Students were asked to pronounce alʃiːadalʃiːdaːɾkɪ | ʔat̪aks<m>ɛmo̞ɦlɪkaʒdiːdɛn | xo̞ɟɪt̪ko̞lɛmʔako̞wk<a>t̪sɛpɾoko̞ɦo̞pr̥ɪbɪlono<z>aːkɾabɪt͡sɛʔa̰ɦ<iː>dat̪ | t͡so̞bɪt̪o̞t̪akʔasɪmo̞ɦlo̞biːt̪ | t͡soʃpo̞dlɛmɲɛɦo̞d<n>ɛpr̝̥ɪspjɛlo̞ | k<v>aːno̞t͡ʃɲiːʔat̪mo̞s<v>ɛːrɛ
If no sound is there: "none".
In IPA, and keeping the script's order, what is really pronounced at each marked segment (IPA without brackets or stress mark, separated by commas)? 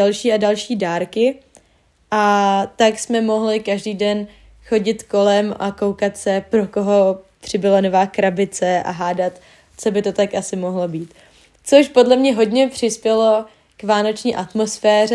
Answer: m, a, v, aː, ɲ, v, f